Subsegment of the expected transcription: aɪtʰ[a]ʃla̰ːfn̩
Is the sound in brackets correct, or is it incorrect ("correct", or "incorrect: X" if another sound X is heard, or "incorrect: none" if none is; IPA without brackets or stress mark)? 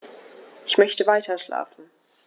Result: incorrect: ɐ